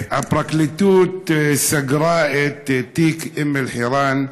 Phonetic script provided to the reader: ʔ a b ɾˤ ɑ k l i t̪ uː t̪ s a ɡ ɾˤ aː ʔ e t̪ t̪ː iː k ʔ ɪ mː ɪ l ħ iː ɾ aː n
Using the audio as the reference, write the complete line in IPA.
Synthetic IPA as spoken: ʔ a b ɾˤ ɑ k l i t̪ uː t̪ s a ɡ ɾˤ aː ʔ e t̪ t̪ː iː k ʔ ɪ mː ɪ l ħ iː ɾ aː n